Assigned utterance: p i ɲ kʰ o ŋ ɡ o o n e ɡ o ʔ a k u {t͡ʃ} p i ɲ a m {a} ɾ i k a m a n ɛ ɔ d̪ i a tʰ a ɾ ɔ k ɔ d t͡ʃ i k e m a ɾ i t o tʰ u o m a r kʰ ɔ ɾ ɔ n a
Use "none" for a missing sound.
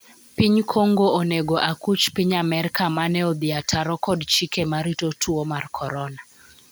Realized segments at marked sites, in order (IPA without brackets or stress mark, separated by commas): t͡ʃ, ɛ